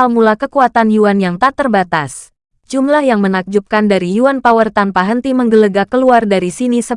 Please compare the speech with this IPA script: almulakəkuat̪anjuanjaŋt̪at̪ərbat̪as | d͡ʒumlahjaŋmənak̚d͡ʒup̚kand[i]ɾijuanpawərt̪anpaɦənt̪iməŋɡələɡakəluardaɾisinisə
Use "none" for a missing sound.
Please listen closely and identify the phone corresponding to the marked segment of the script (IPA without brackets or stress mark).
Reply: a